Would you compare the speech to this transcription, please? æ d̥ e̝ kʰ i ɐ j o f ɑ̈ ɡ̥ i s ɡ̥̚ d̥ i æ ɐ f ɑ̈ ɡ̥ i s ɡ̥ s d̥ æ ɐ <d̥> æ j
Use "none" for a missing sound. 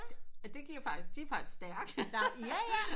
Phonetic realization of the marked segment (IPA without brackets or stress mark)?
ɡ̥